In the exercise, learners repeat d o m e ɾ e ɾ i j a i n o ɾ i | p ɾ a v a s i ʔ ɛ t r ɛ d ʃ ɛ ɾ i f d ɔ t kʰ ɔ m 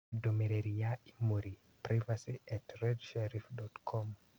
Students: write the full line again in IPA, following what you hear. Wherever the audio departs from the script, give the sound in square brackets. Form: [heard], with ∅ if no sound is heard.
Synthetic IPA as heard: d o m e ɾ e ɾ i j a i [m] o ɾ i | p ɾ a v a s i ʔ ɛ t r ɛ d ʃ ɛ ɾ i f d ɔ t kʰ ɔ m